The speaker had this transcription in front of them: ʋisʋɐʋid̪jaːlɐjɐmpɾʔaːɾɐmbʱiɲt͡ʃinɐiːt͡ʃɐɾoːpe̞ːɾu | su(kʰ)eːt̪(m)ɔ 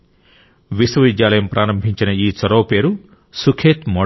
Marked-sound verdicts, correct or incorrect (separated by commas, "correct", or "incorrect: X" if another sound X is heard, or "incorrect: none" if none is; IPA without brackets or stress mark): correct, correct